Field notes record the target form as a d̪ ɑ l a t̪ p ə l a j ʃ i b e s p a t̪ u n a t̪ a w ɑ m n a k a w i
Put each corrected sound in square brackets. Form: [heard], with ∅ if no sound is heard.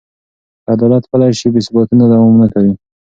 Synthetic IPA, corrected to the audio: a d̪ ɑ l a t̪ p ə l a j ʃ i b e s [b] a t̪ u n a [d̪] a w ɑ m n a k a w i